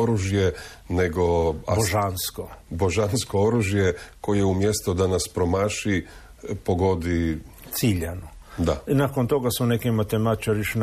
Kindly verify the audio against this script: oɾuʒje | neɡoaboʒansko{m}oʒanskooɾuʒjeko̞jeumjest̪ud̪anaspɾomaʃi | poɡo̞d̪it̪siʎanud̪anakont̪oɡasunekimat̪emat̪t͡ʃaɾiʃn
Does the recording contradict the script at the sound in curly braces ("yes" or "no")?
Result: yes